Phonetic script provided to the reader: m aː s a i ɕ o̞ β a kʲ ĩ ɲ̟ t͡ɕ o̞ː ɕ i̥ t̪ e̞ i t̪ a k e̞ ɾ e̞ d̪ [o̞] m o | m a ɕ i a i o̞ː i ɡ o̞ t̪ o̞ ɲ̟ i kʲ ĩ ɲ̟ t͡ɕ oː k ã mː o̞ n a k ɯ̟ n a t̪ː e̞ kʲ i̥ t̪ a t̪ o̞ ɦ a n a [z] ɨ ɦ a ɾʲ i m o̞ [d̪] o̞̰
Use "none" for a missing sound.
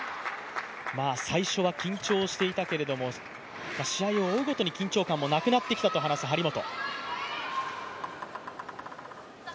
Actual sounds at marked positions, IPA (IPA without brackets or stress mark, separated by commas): o̞, s, t̪